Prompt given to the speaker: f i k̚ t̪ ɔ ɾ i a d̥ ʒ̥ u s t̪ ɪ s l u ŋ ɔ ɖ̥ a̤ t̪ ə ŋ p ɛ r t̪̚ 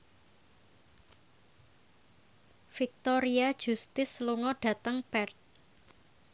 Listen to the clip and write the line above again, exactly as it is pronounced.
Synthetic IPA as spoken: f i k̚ t̪ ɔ ɾ i a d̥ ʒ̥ u s t̪ ɪ s l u ŋ ɔ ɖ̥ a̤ t̪ ə ŋ p ɛ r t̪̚

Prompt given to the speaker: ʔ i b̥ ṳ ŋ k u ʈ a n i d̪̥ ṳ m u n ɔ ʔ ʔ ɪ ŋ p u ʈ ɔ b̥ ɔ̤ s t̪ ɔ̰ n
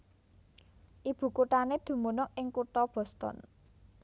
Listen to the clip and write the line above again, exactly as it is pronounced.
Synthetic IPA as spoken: ʔ i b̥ ṳ k u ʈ a n e d̪̥ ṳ m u n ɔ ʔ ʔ ɪ ŋ k u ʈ ɔ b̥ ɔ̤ s t̪ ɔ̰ n

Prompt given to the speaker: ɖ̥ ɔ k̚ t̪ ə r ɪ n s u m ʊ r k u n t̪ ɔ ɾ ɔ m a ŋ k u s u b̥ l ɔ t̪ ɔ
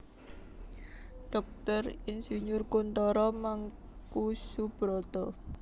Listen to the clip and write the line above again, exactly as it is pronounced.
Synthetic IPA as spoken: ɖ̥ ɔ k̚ t̪ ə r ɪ n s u ɲ ʊ r k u n t̪ ɔ ɾ ɔ m a ŋ k u s u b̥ ɾ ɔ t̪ ɔ

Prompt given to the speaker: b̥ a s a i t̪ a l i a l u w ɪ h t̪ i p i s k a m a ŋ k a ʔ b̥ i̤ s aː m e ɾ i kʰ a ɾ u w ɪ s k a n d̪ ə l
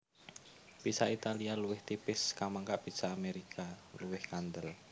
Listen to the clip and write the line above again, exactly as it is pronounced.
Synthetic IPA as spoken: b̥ i s a i t̪ a l i a l u w ɪ h t̪ i p ɪ s k a m a ŋ k a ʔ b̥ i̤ s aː m e ɾ i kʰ a l u w ɪ h k a n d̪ ə l

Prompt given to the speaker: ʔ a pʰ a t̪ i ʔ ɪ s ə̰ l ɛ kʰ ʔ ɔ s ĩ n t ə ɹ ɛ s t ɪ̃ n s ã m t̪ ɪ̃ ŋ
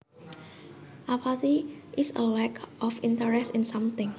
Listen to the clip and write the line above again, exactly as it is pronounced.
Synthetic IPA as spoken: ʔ a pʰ a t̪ i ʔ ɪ s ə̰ l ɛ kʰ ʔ ɔ f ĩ n t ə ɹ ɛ s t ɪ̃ n s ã m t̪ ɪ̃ ŋ

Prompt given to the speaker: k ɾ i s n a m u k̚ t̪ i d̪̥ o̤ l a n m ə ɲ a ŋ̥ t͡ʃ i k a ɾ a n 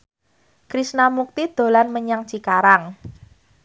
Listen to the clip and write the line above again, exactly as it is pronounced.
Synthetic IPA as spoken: k ɾ i s n a m u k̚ t̪ i d̪̥ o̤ l a n m ə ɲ a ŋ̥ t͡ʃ i k a ɾ a ŋ

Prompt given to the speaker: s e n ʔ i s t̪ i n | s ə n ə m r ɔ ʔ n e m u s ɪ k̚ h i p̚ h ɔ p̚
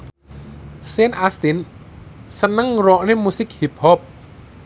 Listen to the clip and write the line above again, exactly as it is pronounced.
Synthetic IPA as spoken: s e n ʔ a s t̪ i n | s ə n ə ŋ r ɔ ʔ n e m u s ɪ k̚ h i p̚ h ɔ p̚

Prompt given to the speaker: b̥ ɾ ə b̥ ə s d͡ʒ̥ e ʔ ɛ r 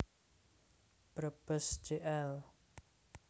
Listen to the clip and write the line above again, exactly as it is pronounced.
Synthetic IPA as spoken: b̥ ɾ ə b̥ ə s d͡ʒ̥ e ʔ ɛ l

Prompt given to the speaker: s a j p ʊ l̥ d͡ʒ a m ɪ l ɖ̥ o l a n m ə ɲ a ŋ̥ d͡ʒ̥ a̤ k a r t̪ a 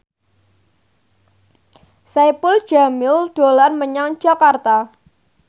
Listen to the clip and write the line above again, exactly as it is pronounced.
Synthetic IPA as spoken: s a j p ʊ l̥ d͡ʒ a m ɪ l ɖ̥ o l a n m ə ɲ a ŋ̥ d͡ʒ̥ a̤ k a r t̪ a

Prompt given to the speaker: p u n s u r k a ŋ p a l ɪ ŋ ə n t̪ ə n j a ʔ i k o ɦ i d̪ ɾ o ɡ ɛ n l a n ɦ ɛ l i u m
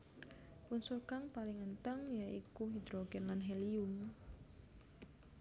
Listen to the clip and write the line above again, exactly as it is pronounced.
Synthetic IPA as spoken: p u n s u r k a ŋ p a l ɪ ŋ ə n t̪ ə ŋ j a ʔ i k u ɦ i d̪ ɾ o ɡ ɛ n l a n ɦ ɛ l i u m

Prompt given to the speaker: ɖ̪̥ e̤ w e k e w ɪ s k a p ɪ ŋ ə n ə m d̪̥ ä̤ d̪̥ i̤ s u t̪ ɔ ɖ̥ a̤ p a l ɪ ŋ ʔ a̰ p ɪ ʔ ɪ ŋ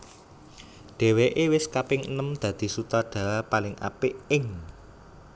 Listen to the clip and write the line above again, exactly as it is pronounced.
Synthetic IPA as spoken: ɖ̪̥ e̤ w e ʔ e w ɪ s k a p ɪ ŋ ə n ə m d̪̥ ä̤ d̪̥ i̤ s u t̪ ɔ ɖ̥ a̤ p a l ɪ ŋ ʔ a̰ p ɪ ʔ ɪ ŋ

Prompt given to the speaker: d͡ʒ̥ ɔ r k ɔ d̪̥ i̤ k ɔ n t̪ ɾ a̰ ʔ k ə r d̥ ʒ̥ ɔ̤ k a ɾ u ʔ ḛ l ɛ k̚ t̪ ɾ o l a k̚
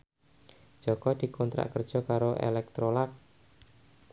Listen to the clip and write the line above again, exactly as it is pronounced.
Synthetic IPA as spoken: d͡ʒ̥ ɔ k ɔ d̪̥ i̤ k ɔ n t̪ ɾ a̰ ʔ k ə r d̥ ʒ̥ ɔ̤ k a ɾ o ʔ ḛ l ɛ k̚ t̪ ɾ o l a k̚

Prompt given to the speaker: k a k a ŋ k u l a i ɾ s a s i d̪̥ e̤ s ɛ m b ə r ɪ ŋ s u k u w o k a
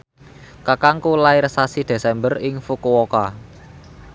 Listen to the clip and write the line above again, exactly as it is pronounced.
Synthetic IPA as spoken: k a k a ŋ k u l a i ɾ s a s i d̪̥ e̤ s ɛ m b ə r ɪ ŋ f u k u w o k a

